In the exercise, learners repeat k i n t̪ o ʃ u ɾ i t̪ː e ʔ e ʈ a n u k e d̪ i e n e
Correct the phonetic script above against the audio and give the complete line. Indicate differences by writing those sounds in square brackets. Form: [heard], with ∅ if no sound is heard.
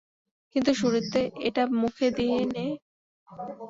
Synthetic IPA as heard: k i n t̪ [u] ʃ u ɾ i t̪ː e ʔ e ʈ a [m] u [kʰ] e d̪ i e n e